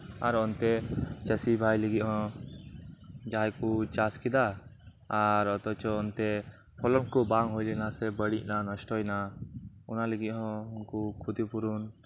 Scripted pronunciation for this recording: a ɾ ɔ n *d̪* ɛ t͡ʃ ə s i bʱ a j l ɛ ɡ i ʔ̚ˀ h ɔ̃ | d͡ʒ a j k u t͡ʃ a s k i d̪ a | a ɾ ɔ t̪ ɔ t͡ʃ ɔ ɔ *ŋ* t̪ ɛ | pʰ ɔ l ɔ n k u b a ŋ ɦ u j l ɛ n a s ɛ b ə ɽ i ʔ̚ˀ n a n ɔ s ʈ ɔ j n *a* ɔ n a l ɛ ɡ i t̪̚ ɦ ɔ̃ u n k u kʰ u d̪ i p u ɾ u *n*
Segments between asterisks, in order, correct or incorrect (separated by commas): incorrect, incorrect, correct, correct